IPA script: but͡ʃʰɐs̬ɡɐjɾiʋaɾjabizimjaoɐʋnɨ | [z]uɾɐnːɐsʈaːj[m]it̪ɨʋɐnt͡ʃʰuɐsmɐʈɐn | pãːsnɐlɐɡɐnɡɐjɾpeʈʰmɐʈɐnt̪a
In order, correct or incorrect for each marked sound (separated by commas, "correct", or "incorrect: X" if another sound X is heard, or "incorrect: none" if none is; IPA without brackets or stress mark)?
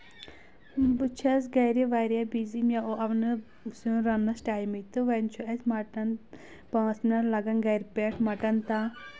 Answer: incorrect: s, correct